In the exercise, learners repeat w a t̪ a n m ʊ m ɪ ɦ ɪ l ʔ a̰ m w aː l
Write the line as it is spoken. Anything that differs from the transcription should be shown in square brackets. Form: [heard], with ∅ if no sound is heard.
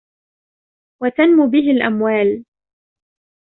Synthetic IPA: w a t̪ a n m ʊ [b] ɪ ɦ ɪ l ʔ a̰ m w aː l